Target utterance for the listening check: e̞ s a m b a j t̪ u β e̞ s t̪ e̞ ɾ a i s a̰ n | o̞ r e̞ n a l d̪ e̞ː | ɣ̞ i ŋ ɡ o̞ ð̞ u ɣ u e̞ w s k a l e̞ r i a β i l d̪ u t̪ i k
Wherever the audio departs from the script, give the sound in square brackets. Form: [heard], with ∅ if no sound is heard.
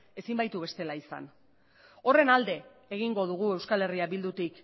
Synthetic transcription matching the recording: e̞ s [i] m b a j t̪ u β e̞ s t̪ e̞ [l] a i s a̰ n | o̞ r e̞ n a l d̪ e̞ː | ɣ̞ i ŋ ɡ o̞ ð̞ u ɣ u e̞ w s k a l e̞ r i a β i l d̪ u t̪ i k